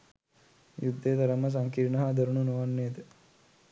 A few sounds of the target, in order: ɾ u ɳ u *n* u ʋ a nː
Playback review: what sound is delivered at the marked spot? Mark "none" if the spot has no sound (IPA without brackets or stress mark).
n